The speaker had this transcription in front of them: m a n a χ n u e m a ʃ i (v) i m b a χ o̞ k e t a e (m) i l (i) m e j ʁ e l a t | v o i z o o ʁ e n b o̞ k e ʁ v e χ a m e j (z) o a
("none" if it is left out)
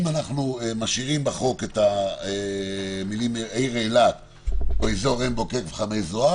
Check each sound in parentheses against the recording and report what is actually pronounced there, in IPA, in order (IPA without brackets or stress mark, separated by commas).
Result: ʁ, m, i, z